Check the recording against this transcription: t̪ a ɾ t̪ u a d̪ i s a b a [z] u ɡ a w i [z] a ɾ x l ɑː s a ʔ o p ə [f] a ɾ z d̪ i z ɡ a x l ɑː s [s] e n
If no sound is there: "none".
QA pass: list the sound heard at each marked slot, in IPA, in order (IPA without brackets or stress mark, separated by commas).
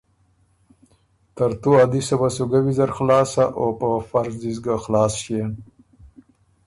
s, z, f, ʃ